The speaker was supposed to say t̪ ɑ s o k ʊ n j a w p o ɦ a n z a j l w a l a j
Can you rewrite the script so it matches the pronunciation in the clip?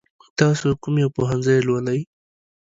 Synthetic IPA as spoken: t̪ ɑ s o k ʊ m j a w p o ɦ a n z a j l w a l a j